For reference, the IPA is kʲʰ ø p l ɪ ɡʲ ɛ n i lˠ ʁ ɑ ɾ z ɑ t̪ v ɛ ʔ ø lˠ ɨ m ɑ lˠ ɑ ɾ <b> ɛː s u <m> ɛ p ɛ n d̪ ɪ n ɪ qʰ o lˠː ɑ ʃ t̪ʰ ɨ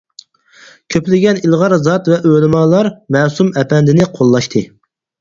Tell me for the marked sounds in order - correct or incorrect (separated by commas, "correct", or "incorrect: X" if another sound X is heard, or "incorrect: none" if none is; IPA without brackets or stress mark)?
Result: incorrect: m, correct